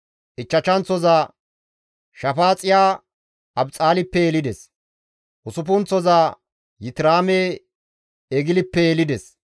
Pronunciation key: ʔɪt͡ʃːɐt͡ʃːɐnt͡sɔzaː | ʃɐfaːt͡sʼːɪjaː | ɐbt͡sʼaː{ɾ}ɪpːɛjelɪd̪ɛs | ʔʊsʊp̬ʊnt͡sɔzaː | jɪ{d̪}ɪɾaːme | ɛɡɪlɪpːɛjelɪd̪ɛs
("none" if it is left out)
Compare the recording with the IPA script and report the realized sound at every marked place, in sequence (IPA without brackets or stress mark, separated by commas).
l, t̪